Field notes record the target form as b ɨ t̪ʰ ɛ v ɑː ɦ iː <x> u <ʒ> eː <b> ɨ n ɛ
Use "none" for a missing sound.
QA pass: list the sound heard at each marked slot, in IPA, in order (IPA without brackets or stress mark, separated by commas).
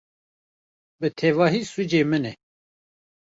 s, d͡ʒ, m